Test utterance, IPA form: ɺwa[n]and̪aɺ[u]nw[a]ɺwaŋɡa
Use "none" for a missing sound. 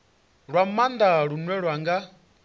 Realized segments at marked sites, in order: m, u, ɛ

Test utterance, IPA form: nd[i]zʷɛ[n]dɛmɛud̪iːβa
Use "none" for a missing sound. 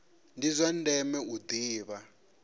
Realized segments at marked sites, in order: i, n

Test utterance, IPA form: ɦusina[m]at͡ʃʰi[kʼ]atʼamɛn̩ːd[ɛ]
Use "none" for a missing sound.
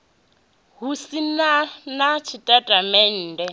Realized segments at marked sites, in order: n, tʼ, ɛ

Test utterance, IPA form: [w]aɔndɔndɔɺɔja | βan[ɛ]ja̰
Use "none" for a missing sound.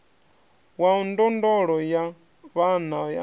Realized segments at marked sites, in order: w, a

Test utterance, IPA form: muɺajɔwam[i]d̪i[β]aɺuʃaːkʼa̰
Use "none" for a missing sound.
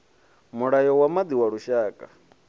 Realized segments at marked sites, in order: a, w

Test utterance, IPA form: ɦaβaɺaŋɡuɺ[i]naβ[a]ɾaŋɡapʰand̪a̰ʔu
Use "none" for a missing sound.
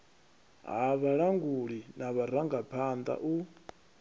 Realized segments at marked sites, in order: i, a

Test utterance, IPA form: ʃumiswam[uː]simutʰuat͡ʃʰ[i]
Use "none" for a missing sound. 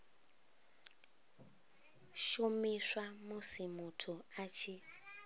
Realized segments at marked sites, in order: u, i

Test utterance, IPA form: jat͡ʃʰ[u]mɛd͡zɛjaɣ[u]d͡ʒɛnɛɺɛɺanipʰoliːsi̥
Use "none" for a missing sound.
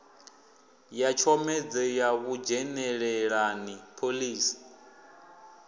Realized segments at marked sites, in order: ɔ, u

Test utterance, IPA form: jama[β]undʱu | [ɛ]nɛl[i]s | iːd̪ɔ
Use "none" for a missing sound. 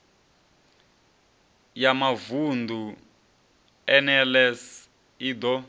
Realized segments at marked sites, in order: v, ɛ, ɛ

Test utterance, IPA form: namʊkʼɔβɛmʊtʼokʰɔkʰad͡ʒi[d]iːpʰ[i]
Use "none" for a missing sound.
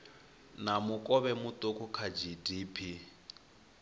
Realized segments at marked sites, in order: d, i

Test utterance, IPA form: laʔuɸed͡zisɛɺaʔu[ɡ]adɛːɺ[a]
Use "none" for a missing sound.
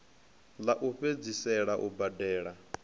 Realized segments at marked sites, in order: b, a

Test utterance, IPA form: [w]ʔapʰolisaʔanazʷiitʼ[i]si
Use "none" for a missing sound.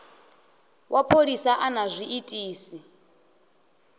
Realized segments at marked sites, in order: w, iː

